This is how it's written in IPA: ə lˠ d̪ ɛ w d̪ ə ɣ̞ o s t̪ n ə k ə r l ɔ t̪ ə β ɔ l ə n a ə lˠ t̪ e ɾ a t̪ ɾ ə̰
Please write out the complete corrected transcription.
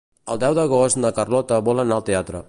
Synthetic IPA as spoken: ə lˠ d̪ ɛ w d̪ ə ɣ̞ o s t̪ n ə k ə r l ɔ t̪ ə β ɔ l ə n a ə lˠ t̪ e a t̪ ɾ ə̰

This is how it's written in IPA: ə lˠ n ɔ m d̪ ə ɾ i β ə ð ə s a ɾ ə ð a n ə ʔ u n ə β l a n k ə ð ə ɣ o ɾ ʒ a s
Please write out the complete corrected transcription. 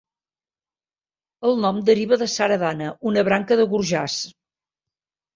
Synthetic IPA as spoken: ə lˠ n ɔ m d̪ ə ɾ i β ə ð ə s a ɾ ə ð a n ə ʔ u n ə β ɾ a ŋ k ə ð ə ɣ u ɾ ʒ a s

